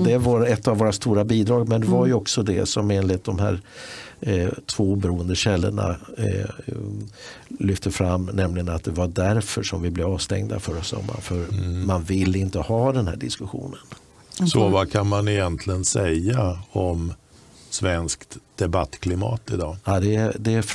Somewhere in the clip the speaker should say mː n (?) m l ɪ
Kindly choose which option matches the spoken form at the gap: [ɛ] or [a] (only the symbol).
ɛ